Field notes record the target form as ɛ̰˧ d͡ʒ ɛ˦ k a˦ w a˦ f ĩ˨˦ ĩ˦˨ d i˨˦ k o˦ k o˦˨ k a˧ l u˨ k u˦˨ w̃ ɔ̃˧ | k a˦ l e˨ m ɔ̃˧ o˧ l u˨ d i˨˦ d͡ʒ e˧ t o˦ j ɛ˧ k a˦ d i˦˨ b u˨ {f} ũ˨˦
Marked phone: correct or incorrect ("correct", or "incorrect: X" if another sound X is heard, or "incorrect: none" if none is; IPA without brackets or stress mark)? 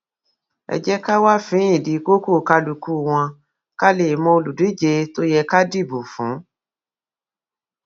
correct